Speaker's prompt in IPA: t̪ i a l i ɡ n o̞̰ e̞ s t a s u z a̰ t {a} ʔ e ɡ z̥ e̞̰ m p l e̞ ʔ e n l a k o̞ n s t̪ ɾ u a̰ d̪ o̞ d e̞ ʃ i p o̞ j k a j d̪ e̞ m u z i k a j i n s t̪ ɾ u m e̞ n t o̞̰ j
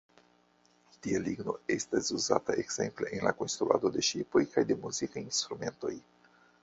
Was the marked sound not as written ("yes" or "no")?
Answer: no